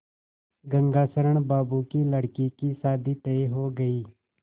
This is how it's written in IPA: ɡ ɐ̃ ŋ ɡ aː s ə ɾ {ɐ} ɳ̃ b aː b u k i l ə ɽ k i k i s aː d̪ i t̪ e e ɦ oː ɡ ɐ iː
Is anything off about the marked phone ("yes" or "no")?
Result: yes